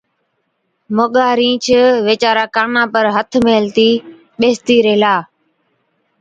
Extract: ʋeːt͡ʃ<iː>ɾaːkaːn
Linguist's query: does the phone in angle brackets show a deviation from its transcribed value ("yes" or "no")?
yes